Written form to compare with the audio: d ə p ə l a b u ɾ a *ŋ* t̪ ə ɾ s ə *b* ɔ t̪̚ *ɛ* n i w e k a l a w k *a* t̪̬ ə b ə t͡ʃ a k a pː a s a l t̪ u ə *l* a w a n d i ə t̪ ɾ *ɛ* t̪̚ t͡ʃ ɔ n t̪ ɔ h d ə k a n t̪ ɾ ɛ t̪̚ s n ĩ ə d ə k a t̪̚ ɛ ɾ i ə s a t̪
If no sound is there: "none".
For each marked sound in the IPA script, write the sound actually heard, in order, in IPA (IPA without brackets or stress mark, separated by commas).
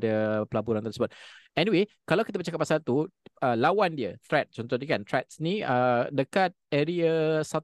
n, b, ɛ, i, l, ɛ